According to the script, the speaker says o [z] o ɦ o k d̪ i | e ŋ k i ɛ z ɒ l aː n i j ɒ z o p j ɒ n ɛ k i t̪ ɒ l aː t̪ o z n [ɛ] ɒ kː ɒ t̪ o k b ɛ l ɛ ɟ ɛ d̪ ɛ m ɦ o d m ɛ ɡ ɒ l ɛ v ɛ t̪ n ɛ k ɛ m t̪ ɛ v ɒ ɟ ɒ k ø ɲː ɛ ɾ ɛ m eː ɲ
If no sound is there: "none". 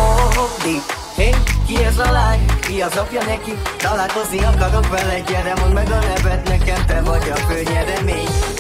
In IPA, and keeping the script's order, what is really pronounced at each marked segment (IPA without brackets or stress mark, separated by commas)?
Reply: none, i